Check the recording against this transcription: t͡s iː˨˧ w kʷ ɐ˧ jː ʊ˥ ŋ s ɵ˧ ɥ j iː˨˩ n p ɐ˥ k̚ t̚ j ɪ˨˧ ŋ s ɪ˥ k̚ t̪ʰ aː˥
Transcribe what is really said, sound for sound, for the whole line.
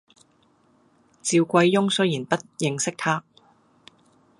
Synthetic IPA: t͡s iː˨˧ w kʷ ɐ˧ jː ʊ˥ ŋ s ɵ˥ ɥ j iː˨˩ n p ɐ˥ t̚ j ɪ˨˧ ŋ s ɪ˥ k̚ t̪ʰ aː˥

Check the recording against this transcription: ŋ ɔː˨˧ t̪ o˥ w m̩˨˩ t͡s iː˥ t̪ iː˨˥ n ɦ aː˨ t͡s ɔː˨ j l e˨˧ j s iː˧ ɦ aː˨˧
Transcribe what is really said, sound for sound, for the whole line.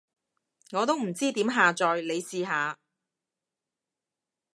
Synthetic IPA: ŋ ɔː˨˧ t̪ o˥ w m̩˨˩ t͡s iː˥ t̪ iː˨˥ m ɦ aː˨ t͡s ɔː˨ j l e˨˧ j s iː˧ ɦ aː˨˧

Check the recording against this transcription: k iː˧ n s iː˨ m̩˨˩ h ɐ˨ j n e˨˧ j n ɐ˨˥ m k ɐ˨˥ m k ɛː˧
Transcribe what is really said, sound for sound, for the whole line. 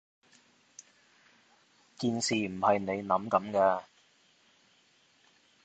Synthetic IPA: k iː˧ n s iː˨ m̩˨˩ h ɐ˨ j n e˨˧ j n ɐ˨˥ m k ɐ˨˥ m k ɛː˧

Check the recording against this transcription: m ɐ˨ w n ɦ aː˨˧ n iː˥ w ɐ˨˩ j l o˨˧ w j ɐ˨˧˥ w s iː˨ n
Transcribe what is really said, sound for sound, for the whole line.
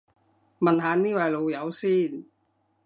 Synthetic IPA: m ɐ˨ n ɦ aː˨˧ n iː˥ w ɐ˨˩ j l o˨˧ w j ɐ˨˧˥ w s iː˥˩ n

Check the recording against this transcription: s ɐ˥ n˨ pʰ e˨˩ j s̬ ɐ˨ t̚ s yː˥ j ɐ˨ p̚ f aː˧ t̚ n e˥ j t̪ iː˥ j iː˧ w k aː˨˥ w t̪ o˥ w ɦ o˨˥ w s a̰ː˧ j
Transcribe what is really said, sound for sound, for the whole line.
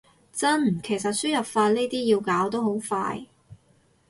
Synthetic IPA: t͡s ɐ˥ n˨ kʰ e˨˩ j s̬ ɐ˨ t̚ s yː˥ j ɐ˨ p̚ f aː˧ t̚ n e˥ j t̪ iː˥ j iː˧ w k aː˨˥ w t̪ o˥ w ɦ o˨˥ w f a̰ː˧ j

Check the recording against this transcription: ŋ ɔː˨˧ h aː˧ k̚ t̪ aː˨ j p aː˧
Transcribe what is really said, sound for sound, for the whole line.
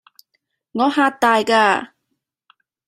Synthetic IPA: ŋ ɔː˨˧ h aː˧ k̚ t̪ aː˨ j k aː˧

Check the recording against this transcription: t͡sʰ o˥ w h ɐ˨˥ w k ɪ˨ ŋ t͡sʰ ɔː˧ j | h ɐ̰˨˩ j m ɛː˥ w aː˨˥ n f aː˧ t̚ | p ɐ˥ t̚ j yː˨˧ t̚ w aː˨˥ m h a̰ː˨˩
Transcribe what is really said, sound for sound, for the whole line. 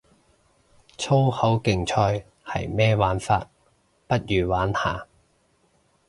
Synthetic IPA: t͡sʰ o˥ w h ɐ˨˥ w k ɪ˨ ŋ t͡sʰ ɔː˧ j | h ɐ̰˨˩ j m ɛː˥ w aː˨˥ n f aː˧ t̚ | p ɐ˥ t̚ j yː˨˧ w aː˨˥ n h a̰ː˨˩

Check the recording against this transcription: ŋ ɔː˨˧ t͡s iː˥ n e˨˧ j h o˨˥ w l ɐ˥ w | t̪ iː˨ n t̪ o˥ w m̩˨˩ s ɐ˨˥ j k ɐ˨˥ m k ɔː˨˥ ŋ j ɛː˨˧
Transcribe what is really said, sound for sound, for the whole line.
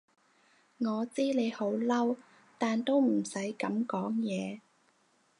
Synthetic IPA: ŋ ɔː˨˧ t͡s iː˥ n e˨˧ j h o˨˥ w l ɐ˥ w | t̪ aː˨ n t̪ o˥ w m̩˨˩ s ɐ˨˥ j k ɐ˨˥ m k ɔː˨˥ ŋ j ɛː˨˧

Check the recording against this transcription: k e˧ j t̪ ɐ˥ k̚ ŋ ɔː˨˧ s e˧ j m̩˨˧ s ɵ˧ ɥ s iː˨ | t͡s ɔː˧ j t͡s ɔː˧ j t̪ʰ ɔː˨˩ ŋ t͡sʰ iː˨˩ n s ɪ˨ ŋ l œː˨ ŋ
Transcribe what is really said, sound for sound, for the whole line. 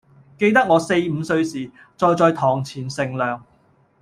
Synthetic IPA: k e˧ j t̪ ɐ˥ k̚ ŋ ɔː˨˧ s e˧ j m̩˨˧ s ɵ˧ ɥ s iː˨ | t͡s ɔː˧ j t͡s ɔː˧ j t̪ʰ ɔː˨˩ ŋ t͡sʰ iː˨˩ n s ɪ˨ ŋ l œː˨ ŋ

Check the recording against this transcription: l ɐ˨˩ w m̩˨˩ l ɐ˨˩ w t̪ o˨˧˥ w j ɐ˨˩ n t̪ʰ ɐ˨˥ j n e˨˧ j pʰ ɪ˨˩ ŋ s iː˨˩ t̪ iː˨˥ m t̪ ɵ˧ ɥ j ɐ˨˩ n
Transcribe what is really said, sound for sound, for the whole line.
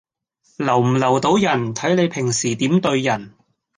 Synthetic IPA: l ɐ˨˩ w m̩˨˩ l ɐ˨˩ w t̪ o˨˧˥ w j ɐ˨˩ n t̪ʰ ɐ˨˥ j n e˨˧ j pʰ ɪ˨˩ ŋ s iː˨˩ t̪ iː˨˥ m t̪ ɵ˧ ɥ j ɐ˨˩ n

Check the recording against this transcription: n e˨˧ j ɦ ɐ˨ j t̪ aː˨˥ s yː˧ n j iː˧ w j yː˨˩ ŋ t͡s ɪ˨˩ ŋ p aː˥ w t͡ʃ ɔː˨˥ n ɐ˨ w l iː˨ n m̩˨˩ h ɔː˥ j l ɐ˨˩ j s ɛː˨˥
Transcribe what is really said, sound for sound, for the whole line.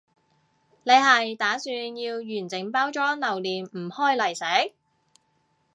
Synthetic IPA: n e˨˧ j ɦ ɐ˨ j t̪ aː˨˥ s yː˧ n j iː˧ w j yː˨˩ n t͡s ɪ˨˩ ŋ p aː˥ w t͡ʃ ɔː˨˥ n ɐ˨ w l iː˨ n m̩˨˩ h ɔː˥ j l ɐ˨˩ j s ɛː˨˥

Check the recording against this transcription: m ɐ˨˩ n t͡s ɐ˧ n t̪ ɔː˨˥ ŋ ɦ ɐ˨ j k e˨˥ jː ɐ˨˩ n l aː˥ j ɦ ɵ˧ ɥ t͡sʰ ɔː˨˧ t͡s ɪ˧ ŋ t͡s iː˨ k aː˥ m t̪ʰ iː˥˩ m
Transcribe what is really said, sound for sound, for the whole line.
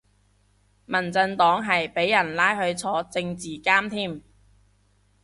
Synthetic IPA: m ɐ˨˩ n t͡s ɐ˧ n t̪ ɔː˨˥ ŋ ɦ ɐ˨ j p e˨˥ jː ɐ˨˩ n l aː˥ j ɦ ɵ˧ ɥ t͡sʰ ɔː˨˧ t͡s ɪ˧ ŋ t͡s iː˨ k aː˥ m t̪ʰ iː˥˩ m

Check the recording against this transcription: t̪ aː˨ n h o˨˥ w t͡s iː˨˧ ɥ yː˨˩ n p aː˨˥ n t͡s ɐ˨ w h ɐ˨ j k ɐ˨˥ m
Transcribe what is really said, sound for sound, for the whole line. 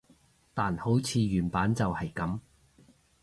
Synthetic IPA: t̪ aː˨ n h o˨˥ w t͡sʰ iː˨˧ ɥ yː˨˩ n p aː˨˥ n t͡s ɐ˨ w h ɐ˨ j k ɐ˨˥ m

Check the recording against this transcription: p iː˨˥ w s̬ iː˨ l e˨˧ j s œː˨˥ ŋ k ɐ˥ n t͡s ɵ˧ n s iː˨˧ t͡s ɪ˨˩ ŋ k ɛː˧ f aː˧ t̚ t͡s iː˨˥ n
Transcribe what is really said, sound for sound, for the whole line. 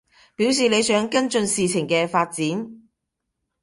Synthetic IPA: p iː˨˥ w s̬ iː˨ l e˨˧ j s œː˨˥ ŋ k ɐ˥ n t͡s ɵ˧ n s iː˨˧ t͡sʰ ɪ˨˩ ŋ k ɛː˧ f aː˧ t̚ t͡s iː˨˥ n

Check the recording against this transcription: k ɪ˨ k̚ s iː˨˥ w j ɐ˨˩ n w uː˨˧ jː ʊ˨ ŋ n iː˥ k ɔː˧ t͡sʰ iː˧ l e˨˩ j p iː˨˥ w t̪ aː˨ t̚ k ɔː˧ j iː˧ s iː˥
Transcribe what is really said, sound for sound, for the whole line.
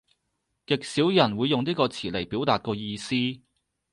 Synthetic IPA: k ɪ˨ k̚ s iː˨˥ w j ɐ˨˩ n w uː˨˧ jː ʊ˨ ŋ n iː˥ k ɔː˧ t͡sʰ iː˨˩ l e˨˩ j p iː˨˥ w t̪ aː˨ t̚ k ɔː˧ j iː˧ s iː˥

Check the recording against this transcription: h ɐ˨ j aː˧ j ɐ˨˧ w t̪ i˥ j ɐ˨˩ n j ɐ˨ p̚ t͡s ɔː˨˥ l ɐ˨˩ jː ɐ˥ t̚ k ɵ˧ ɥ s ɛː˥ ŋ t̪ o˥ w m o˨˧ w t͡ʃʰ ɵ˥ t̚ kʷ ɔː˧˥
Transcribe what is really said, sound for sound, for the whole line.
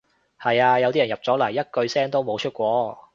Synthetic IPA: h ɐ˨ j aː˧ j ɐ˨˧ w t̪ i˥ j ɐ˨˩ n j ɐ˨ p̚ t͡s ɔː˨˥ l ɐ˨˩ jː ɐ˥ t̚ k ɵ˧ ɥ s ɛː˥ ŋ t̪ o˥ w m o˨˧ w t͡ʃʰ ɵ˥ t̚ kʷ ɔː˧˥

